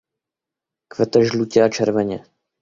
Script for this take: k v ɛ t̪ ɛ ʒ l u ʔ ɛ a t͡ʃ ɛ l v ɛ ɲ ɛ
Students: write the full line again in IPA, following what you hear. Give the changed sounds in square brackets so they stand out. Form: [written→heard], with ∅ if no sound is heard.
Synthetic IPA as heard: k v ɛ t̪ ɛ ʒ l u [ʔ→c] ɛ a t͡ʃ ɛ [l→ɾ] v ɛ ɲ ɛ